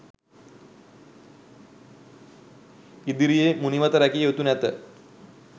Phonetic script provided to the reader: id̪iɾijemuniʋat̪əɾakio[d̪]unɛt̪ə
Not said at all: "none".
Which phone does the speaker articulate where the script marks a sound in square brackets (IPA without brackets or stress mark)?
t̪